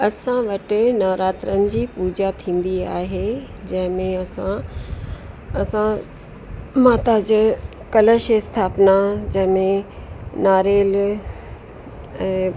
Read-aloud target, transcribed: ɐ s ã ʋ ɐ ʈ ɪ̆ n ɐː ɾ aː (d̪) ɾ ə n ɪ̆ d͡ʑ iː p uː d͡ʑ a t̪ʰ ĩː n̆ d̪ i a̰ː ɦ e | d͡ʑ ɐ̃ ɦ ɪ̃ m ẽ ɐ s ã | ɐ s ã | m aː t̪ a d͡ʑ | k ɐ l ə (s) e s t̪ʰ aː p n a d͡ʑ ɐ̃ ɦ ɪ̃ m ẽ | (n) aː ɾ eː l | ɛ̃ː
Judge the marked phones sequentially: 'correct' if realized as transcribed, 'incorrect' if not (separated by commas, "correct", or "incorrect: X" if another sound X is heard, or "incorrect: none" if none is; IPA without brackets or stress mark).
incorrect: t̪, incorrect: ʃ, correct